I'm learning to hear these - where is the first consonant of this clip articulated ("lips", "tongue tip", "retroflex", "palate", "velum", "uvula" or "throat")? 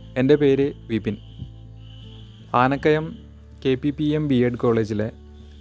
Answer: tongue tip